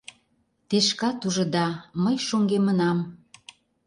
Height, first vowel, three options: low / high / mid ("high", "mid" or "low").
mid